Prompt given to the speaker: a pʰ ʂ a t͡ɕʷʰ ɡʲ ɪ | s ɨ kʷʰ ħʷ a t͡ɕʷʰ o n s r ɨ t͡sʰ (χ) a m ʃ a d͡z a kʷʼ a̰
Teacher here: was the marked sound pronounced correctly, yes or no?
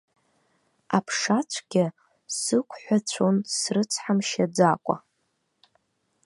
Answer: no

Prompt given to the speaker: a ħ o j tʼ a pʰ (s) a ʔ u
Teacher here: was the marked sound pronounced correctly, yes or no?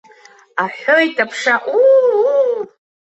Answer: no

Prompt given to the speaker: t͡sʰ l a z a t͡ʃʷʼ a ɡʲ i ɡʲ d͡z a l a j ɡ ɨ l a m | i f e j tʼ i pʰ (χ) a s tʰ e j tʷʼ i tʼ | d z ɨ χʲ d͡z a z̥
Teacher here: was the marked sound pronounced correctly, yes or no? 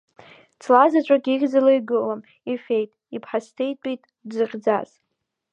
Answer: no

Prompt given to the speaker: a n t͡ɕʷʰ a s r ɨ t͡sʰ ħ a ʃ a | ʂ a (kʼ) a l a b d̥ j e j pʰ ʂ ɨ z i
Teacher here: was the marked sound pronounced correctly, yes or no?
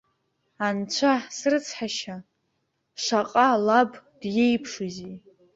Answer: no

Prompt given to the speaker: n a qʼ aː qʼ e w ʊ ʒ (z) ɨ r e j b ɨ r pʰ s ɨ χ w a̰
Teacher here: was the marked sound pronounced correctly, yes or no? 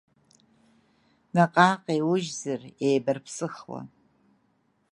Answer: yes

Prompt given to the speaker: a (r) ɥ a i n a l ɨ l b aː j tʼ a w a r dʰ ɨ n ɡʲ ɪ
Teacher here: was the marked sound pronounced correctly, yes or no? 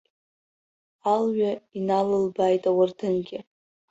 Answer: no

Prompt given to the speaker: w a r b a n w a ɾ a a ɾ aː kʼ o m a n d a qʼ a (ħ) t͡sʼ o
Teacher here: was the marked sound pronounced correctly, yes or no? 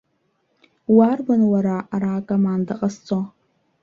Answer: no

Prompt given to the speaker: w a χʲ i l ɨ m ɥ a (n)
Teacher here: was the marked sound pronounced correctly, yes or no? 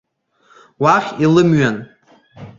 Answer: yes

